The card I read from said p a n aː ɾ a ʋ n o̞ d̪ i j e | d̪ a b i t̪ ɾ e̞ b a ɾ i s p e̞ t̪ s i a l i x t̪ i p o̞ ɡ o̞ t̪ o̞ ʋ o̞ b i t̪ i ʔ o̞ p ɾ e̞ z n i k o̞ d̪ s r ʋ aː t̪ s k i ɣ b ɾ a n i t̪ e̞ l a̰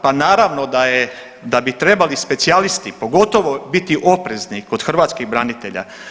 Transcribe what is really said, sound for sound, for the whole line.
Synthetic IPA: p a n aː ɾ a ʋ n o̞ d̪ a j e | d̪ a b i t̪ ɾ e̞ b a l i s p e̞ t̪ s i a l i s t̪ i p o̞ ɡ o̞ t̪ o̞ ʋ o̞ b i t̪ i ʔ o̞ p ɾ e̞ z n i k o̞ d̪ x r ʋ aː t̪ s k i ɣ b ɾ a n i t̪ e̞ ʎ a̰